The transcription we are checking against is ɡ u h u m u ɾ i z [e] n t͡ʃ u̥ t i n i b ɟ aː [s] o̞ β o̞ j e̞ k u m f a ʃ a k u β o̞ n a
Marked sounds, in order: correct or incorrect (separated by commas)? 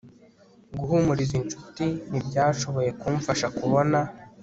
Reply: incorrect, incorrect